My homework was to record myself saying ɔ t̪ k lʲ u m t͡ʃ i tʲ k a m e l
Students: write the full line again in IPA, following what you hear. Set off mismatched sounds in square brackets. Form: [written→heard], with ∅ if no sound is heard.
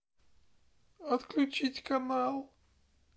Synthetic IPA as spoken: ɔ t̪ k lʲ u [m→∅] t͡ʃ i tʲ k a m [e→a] l